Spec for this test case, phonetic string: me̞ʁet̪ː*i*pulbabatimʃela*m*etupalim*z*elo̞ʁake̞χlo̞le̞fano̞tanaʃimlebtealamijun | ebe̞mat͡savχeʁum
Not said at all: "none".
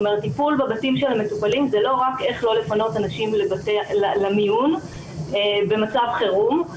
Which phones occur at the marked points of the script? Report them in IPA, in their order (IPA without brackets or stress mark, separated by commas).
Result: i, m, z